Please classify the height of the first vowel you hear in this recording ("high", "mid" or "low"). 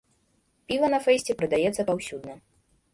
high